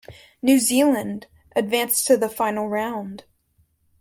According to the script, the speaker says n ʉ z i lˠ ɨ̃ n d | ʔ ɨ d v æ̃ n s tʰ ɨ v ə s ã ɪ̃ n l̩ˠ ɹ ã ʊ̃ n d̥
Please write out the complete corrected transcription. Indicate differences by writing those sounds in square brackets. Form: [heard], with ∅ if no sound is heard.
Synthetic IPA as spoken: n ʉ z i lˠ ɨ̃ n d | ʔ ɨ d v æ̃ n s tʰ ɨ [ð] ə [f] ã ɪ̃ n l̩ˠ ɹ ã ʊ̃ n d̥